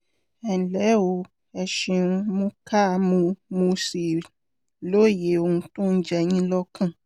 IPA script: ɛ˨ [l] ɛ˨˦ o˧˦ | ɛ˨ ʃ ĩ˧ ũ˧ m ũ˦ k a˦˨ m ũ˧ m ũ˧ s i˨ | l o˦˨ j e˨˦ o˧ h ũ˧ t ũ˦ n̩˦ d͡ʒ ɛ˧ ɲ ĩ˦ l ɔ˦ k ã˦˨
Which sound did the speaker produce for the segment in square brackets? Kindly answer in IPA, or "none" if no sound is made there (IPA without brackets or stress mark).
l